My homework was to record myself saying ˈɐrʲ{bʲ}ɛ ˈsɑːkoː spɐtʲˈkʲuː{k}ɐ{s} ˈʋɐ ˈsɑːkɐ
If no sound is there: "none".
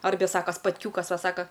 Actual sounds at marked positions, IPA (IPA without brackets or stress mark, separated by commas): bʲ, k, s